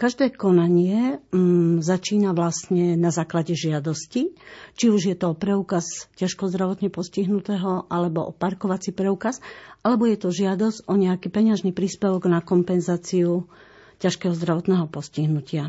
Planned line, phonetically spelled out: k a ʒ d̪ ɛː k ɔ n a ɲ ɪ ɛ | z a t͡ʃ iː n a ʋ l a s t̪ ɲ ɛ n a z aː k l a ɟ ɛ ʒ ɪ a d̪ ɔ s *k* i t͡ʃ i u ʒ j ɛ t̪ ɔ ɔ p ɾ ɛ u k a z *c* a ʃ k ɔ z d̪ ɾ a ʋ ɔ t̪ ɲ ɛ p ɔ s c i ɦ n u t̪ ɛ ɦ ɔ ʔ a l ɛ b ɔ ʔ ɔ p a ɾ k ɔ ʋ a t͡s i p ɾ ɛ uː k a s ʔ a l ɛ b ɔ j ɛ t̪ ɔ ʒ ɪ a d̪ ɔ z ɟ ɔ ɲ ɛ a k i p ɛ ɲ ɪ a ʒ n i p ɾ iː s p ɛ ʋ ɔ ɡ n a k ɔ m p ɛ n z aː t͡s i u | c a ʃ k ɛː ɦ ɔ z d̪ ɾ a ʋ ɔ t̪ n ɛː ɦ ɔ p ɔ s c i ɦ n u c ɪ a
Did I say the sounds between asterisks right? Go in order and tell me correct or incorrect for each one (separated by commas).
incorrect, correct